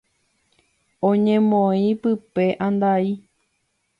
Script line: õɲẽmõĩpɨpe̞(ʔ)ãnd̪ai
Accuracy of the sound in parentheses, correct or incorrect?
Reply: correct